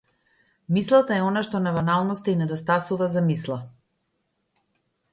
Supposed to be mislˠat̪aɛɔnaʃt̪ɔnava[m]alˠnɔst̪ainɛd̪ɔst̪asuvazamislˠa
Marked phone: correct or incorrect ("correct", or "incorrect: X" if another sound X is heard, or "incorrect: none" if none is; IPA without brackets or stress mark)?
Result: incorrect: n